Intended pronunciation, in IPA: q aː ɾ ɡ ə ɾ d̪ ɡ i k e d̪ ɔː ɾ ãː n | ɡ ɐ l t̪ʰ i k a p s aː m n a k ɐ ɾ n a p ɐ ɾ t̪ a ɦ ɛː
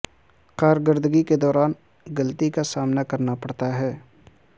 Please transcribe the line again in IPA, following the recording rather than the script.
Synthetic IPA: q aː ɾ ɡ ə ɾ d̪ ɡ i k e d̪ ɔː ɾ aː n | ɡ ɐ l t̪ i k a s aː m n a k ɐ ɾ n a p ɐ ɽ t̪ a ɦ ɛː